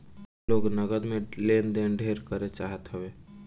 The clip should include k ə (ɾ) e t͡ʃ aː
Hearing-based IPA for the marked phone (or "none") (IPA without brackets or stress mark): ɾ